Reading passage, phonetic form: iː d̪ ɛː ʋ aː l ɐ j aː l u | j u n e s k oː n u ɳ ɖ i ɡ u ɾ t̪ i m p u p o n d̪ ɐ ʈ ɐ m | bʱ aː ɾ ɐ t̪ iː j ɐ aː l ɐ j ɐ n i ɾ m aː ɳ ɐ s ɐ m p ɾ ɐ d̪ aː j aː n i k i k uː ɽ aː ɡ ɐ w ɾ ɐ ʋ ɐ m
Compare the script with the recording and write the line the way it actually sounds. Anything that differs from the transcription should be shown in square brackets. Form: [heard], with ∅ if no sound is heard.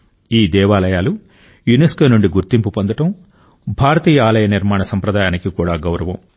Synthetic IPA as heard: iː d̪ ɛː ʋ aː l ɐ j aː l u | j u n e s k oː n u ɳ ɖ i ɡ u ɾ t̪ i m p u p o n d̪ ɐ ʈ ɐ m | bʱ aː ɾ ɐ t̪ iː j ɐ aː l ɐ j ɐ n i ɾ m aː ɳ ɐ s ɐ m p ɾ ɐ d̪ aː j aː n i k i k uː ɽ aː ɡ ɐ w ɾ ɐ ʋ ɐ m